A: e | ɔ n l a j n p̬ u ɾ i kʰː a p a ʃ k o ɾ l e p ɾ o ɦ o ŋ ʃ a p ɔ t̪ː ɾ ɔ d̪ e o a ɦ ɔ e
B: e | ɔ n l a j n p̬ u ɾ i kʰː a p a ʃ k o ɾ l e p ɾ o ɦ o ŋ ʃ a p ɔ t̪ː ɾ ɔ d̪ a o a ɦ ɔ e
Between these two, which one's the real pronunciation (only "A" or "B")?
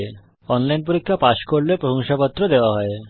A